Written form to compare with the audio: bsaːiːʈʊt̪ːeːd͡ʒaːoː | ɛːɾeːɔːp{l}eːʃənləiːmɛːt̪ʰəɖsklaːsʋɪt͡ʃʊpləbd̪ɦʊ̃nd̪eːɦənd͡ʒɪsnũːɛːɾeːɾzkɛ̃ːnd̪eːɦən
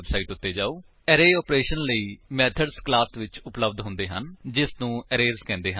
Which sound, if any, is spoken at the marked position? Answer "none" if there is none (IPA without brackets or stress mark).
ɾ